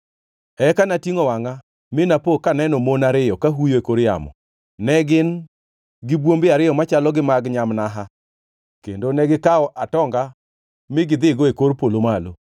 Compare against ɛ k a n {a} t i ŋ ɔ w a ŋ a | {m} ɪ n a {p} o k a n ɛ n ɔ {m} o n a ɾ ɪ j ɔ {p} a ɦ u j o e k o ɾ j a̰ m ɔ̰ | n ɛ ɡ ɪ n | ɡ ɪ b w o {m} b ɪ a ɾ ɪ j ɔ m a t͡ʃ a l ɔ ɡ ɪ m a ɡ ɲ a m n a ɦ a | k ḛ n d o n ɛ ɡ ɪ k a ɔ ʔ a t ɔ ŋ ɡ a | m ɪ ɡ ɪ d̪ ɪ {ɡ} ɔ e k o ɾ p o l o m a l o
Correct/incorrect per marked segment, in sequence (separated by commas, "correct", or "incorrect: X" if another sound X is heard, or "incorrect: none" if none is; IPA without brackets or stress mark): correct, correct, correct, correct, incorrect: k, correct, correct